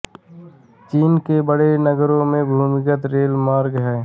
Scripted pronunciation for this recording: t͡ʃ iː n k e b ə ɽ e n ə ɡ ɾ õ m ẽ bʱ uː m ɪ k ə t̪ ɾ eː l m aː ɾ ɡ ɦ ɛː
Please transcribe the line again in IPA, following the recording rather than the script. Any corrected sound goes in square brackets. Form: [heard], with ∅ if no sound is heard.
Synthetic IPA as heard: t͡ʃ iː n k e b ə ɽ e n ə ɡ ɾ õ m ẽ bʱ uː m ɪ k ə t̪ ɾ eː l m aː ɾ ɡ ɦ ɛː